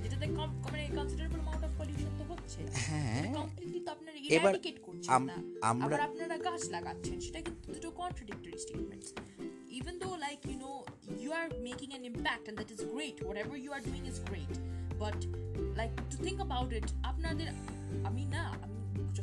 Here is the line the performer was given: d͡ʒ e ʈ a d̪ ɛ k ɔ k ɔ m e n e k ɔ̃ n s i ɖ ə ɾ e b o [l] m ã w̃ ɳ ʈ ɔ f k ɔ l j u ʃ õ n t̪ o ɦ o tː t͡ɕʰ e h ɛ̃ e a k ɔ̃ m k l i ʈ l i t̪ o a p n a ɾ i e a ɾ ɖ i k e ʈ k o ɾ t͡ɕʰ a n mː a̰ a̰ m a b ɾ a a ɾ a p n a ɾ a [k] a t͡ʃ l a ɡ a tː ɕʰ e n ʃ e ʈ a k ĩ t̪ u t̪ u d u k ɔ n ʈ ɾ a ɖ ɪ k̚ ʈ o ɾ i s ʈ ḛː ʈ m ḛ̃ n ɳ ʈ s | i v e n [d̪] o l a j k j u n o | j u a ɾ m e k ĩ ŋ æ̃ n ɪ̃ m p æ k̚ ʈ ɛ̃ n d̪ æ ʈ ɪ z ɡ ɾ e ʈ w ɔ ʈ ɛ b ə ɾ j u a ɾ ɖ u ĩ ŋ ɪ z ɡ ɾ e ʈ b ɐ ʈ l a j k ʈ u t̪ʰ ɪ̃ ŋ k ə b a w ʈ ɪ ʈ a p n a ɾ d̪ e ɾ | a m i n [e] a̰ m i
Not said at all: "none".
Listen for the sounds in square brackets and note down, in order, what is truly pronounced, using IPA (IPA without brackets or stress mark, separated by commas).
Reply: l, ɡ, d̪, a